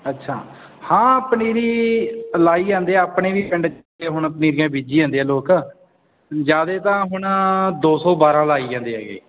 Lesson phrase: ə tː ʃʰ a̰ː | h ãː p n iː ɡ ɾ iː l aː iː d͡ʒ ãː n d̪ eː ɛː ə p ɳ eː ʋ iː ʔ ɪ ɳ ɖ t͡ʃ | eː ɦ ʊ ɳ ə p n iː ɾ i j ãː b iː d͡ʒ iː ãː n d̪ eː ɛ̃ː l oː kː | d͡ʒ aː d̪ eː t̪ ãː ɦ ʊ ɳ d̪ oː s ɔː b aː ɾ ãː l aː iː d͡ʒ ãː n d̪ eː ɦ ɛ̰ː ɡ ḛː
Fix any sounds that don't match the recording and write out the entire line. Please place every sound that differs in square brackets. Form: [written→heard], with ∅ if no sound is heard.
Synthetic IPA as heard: ə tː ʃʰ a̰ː | h ãː p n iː [ɡ→∅] ɾ iː l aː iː d͡ʒ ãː n d̪ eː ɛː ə p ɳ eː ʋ iː [ʔ→p] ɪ ɳ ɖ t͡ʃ | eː ɦ ʊ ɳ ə p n iː ɾ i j ãː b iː d͡ʒ iː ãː n d̪ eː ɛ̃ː l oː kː | d͡ʒ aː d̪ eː t̪ ãː ɦ ʊ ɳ d̪ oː s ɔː b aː ɾ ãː l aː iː d͡ʒ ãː n d̪ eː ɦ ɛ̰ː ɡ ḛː